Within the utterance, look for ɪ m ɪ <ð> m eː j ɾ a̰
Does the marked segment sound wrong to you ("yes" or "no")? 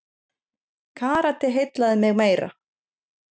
yes